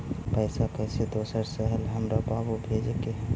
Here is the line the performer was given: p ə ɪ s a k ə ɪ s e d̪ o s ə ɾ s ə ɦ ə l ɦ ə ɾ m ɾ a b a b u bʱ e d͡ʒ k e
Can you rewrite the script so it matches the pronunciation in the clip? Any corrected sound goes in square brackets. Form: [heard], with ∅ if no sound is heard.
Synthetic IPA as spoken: p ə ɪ s a k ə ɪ s e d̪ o s ə ɾ s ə ɦ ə l ɦ ə [∅] m ɾ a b a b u bʱ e d͡ʒ k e